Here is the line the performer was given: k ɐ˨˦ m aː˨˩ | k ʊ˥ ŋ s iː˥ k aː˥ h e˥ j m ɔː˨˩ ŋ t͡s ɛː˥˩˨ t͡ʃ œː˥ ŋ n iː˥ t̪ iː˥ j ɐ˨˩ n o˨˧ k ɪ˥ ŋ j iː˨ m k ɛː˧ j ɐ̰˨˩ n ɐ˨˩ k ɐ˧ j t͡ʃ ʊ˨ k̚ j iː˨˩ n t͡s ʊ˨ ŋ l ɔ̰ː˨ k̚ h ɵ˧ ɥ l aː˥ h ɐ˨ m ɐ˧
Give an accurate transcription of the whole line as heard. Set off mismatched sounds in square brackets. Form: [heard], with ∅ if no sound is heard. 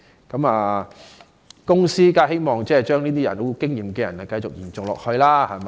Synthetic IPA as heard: k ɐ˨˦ m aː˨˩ | k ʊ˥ ŋ s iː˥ k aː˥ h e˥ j m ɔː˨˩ ŋ t͡s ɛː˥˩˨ t͡ʃ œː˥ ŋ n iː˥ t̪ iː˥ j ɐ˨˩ n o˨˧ k ɪ˥ ŋ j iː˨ m k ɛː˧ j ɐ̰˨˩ n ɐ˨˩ k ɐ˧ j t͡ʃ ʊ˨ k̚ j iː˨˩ n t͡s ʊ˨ ŋ l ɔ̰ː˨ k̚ h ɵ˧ ɥ l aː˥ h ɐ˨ m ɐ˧